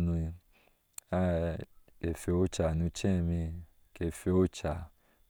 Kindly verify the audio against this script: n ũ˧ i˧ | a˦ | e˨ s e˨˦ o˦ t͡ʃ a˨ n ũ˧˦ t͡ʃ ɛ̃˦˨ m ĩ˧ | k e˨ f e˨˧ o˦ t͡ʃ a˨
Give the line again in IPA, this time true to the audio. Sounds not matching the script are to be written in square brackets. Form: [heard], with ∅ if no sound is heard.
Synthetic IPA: n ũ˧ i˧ | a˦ | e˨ [f] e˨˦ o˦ t͡ʃ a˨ n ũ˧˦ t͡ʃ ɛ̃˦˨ m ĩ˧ | k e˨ f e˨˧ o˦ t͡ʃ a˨